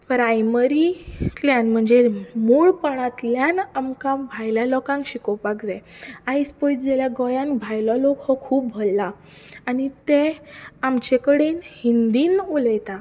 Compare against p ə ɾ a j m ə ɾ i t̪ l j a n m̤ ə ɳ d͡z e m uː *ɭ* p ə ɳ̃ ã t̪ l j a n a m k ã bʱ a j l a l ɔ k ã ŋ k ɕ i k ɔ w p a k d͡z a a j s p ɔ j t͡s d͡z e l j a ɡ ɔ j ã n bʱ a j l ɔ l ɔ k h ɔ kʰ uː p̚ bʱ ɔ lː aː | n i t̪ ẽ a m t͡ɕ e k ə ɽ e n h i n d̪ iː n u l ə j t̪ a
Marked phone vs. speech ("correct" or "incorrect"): correct